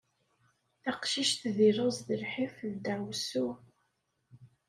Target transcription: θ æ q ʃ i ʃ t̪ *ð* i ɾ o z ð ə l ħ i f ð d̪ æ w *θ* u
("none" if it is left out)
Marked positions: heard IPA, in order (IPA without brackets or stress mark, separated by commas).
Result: ð, s